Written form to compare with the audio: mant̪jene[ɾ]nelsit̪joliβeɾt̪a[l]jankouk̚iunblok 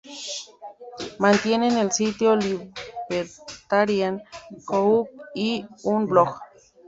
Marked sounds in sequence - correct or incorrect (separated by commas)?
incorrect, incorrect